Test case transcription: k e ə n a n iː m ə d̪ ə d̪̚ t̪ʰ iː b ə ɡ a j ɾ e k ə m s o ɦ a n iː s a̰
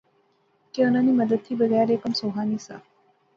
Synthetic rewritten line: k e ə n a n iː m ə d̪ ə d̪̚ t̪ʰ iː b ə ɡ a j ɾ e k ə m s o ɦ a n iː s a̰